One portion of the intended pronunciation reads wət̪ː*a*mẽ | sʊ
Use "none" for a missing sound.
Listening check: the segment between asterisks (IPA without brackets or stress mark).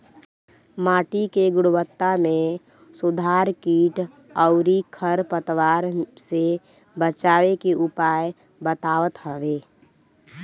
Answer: a